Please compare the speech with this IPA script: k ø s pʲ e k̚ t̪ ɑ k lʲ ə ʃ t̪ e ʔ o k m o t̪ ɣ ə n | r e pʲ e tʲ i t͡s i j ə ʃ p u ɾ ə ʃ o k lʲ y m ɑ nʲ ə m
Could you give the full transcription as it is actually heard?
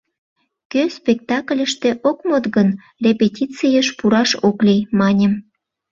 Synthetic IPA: k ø s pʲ e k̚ t̪ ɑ k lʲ ə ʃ t̪ e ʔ o k m o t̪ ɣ ə n | r e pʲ e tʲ i t͡s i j ə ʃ p u ɾ ɑ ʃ o k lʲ i m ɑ nʲ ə m